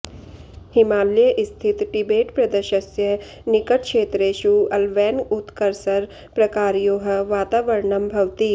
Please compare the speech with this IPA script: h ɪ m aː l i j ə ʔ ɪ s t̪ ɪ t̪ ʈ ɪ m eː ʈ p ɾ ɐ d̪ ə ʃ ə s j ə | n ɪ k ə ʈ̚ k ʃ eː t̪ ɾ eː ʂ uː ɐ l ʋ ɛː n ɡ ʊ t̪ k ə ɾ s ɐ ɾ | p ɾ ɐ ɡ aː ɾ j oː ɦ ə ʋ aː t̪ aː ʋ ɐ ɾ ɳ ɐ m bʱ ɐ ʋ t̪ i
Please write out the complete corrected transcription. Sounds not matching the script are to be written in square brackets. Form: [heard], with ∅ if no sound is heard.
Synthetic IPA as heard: h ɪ m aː l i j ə ʔ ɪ s [t̪ʰ] ɪ t̪ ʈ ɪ [b] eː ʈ p ɾ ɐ d̪ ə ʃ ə s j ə | n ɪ k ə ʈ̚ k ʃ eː t̪ ɾ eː [ʃ] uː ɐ l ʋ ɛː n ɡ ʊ t̪ k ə ɾ s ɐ ɾ | p ɾ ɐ [k] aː ɾ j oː ɦ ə ʋ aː t̪ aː ʋ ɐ ɾ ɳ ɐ m bʱ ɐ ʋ t̪ i